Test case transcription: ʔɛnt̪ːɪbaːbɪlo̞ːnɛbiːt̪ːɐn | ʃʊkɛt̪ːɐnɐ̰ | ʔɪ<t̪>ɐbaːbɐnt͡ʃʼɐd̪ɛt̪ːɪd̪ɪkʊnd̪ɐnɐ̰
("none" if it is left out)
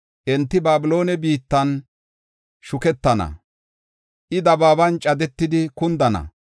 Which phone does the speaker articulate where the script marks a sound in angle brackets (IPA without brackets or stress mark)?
d̪